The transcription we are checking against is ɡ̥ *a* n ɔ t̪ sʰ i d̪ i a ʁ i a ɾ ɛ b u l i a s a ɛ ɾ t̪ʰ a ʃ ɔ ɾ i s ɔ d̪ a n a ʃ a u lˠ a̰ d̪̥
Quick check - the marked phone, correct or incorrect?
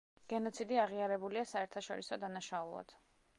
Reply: incorrect